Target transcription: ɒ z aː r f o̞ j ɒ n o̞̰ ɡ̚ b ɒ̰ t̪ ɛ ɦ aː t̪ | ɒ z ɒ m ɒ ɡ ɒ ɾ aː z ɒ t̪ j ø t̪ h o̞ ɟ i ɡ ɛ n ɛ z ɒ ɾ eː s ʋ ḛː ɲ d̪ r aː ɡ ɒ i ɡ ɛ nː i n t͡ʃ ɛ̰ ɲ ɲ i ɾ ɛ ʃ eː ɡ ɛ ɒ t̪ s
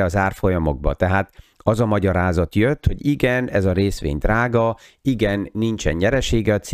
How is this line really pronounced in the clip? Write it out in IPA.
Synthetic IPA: ɒ z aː r f o̞ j ɒ m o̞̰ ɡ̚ b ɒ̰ t̪ ɛ ɦ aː t̪ | ɒ z ɒ m ɒ ɟ ɒ ɾ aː z ɒ t̪ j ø t̪ h o̞ ɟ i ɡ ɛ n ɛ z ɒ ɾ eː s ʋ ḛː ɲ d̪ r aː ɡ ɒ i ɡ ɛ nː i n t͡ʃ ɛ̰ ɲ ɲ ɛ ɾ ɛ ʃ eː ɡ ɛ ɒ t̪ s